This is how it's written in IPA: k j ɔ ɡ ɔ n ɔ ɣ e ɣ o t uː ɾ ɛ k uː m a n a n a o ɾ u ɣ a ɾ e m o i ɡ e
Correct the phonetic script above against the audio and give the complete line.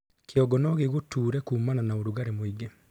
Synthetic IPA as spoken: k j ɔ ɡ ɔ n ɔ ɣ e ɣ o t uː ɾ ɛ k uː m a n a n a o ɾ u ɣ a ɾ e m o i ɡ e